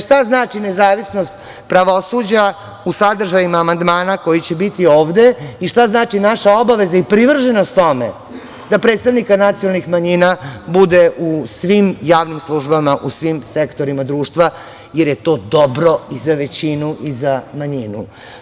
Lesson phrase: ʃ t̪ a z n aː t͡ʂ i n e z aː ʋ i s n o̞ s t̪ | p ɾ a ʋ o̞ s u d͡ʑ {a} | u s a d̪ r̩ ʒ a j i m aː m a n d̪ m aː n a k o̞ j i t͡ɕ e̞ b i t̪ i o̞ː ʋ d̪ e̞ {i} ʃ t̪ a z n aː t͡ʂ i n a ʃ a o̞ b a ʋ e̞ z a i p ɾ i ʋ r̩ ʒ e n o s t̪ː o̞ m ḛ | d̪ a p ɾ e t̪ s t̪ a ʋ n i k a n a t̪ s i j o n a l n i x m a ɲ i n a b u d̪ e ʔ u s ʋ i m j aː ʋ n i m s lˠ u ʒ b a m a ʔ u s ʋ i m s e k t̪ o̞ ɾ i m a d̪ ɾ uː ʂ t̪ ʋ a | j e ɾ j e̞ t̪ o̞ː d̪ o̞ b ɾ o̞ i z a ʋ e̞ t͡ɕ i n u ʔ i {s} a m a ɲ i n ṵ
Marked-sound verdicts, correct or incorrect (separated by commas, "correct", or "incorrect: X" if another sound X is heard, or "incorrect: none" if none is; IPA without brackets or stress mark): correct, correct, incorrect: z